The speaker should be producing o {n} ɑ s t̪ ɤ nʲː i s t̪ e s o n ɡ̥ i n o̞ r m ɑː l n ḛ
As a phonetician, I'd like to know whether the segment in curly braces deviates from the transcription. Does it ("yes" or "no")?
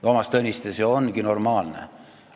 yes